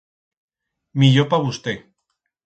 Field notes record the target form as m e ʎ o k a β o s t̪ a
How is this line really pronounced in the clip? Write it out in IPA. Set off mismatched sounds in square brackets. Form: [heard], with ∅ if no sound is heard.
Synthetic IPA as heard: m [i] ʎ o [p] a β [u] s t̪ [e]